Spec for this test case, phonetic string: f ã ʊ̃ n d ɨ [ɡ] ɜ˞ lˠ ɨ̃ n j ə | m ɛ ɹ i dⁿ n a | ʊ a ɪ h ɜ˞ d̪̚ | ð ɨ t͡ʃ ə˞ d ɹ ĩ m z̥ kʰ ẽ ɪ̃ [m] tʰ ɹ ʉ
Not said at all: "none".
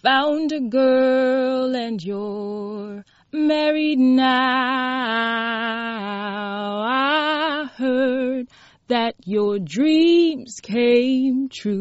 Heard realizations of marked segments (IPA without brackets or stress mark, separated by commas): ɡ, m